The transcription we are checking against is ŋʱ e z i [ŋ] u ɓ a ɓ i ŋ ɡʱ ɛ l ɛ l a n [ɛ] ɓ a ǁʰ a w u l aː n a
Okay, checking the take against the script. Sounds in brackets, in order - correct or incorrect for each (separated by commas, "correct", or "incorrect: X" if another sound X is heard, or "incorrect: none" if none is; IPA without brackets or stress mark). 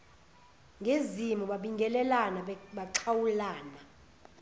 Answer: incorrect: m, incorrect: a